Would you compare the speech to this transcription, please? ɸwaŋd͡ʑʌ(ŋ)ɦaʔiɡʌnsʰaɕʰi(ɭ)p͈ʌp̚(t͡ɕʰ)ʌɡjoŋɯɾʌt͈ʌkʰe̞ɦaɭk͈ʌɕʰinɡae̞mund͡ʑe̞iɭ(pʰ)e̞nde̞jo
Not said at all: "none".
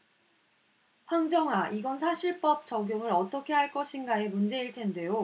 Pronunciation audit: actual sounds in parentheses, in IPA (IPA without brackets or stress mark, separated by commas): ŋ, ɭ, t͡ɕ, tʰ